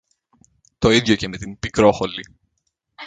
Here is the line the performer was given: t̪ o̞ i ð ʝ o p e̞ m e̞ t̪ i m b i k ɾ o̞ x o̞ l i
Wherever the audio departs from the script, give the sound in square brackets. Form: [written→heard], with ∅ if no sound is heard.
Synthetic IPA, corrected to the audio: t̪ o̞ i ð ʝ o [p→c] e̞ m e̞ t̪ i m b i k ɾ o̞ x o̞ l i